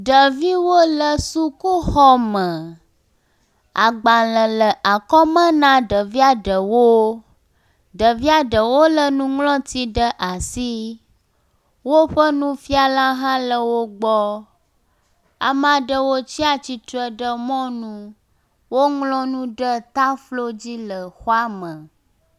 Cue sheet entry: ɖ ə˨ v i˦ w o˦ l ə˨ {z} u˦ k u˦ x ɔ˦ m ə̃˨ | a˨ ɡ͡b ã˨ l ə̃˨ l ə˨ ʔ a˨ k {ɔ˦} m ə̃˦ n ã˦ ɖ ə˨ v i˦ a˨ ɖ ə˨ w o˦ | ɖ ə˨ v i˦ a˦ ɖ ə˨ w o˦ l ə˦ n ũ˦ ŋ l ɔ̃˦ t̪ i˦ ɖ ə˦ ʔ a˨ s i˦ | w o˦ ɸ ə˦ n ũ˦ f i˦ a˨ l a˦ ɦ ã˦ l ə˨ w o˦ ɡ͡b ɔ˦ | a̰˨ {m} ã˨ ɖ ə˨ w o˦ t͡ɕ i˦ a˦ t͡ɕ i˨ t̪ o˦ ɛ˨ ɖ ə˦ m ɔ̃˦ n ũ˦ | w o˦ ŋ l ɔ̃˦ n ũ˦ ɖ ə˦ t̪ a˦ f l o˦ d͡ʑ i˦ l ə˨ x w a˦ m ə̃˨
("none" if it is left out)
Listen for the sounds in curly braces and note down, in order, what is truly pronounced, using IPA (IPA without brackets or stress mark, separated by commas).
s, ɔ˦, m